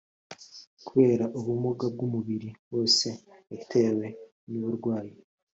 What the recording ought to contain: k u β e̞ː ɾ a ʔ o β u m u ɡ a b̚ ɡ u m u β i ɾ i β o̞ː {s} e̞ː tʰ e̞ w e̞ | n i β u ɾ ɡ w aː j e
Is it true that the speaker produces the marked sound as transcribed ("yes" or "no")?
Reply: yes